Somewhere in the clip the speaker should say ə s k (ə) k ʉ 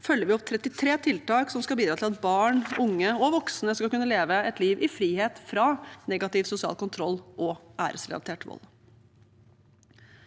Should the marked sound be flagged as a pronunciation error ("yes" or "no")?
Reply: yes